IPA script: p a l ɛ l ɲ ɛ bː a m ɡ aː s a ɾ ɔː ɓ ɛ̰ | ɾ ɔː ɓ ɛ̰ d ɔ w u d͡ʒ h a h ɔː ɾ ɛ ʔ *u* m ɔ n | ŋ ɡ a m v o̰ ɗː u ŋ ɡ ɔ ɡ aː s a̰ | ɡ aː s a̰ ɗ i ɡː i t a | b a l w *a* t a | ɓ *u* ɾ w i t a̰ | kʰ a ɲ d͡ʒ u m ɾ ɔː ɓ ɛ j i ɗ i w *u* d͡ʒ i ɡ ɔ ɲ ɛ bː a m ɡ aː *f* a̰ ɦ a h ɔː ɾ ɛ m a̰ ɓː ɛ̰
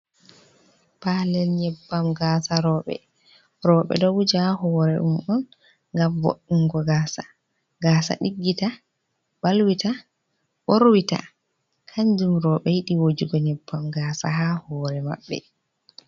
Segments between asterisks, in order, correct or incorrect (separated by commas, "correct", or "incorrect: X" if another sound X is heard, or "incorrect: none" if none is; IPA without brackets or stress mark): correct, incorrect: i, incorrect: o, incorrect: o, incorrect: s